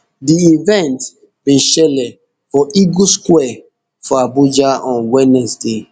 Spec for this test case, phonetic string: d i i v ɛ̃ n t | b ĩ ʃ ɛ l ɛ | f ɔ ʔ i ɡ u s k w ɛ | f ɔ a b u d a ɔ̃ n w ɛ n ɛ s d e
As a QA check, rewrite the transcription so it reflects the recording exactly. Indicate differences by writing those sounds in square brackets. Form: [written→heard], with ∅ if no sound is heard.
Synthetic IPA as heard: d i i v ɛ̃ n t | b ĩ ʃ ɛ l ɛ | f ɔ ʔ i ɡ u s k w ɛ | f ɔ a b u [d→d͡ʒ] a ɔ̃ n w ɛ n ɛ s d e